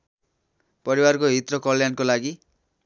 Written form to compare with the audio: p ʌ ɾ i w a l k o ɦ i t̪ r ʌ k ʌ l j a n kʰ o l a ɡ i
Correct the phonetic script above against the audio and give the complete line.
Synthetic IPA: p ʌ ɾ i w a r k o ɦ i t̪ r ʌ k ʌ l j a n k o l a ɡ i

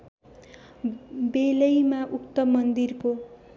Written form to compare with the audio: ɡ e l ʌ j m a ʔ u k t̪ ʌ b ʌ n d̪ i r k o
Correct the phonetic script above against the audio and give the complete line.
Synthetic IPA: b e l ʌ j m a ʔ u k t̪ ʌ m ʌ n d̪ i r k o

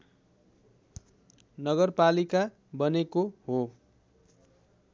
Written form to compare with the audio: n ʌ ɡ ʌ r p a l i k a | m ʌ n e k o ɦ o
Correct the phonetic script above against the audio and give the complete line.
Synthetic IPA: n ʌ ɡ ʌ r p a l i k a | b ʌ n e k o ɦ o

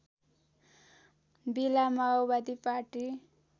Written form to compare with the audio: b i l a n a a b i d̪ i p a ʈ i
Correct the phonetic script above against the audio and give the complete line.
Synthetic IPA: b i l a m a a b a d̪ i p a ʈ i

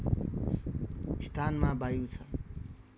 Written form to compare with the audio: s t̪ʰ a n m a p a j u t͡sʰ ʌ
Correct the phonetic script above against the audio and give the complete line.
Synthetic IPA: s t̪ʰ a n m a b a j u t͡sʰ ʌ

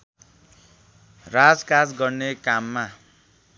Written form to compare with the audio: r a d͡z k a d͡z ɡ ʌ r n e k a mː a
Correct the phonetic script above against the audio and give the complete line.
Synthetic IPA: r a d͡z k a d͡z ɡ ʌ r n e k a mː a

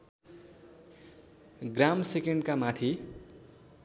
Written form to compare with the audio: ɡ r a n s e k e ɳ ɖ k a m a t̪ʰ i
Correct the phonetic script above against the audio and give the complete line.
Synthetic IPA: ɡ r a m s e k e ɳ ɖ k a m a t̪ʰ i

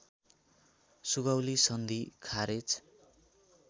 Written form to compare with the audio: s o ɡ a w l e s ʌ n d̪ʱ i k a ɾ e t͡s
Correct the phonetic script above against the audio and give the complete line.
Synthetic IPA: s u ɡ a w l i s ʌ n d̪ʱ i kʰ a ɾ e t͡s

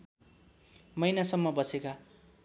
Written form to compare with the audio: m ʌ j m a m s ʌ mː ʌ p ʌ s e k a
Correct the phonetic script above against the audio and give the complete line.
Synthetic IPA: m ʌ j n a s ʌ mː ʌ b ʌ s e k a

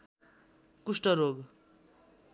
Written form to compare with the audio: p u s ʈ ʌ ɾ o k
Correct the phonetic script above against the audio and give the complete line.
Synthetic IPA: k u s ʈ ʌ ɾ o ɡ

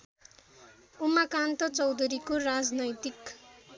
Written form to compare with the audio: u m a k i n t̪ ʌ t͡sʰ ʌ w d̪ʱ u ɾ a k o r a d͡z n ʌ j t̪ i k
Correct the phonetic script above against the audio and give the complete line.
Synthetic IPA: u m a k a n t̪ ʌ t͡s ʌ w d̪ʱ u ɾ i k o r a d͡z n ʌ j t̪ i k

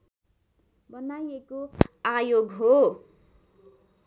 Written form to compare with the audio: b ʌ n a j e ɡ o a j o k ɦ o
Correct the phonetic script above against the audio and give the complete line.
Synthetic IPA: b ʌ n a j e k o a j o ɡ ɦ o

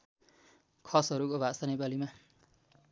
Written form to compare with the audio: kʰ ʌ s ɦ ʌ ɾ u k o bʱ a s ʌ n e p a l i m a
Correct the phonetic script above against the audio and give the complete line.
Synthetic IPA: kʰ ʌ s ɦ ʌ ɾ u k o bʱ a s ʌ n e p a l i m a

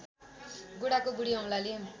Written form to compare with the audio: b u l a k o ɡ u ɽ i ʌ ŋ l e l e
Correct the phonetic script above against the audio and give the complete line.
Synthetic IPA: ɡ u ɽ a k o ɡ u ɽ i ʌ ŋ l a l e

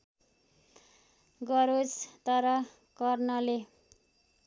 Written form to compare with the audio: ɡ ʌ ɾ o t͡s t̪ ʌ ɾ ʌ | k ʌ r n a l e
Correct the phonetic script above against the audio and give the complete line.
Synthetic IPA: ɡ ʌ ɾ o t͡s t̪ ʌ ɾ ʌ | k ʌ r n ʌ l e

